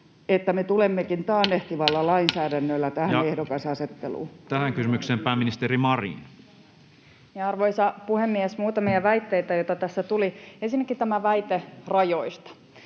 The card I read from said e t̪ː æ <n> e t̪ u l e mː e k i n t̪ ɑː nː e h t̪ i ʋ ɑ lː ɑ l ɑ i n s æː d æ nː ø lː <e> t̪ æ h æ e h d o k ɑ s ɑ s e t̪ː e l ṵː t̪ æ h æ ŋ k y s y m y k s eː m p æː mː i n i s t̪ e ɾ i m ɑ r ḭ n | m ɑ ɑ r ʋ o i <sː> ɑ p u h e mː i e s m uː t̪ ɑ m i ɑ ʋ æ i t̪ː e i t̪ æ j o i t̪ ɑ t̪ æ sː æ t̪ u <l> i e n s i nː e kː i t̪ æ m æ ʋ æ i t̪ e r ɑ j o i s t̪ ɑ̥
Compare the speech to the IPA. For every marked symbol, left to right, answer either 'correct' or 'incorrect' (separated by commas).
incorrect, incorrect, incorrect, correct